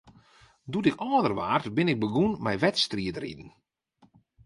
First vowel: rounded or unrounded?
rounded